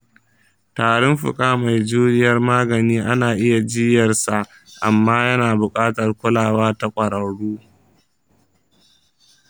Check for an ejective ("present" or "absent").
present